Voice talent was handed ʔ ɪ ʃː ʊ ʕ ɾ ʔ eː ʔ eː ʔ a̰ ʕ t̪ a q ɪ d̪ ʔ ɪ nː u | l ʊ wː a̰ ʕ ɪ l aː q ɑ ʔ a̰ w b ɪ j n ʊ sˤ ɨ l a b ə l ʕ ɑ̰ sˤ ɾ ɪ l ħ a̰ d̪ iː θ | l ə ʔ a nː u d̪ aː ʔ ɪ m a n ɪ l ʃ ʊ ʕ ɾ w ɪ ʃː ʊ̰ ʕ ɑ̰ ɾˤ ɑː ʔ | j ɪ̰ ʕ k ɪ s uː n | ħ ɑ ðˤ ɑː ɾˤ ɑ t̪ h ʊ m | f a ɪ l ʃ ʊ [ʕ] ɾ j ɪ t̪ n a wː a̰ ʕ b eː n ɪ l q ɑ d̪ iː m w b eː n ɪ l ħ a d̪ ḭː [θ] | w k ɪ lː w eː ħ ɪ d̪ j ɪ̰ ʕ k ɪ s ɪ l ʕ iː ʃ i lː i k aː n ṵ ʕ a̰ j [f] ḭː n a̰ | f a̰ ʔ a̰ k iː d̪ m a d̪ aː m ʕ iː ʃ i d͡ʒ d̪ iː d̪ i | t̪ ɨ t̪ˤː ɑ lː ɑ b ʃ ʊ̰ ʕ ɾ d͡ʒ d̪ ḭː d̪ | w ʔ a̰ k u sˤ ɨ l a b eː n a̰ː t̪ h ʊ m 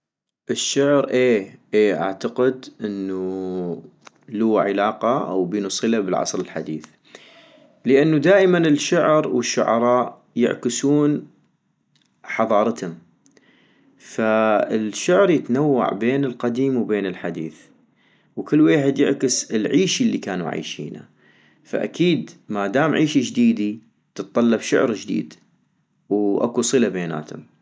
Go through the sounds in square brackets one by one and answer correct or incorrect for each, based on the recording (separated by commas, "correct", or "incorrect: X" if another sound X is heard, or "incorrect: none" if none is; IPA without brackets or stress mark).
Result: correct, correct, incorrect: ʃ